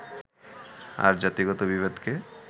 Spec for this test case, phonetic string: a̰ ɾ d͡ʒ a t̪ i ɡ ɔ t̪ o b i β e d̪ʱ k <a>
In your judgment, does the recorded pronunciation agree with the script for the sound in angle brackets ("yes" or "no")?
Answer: no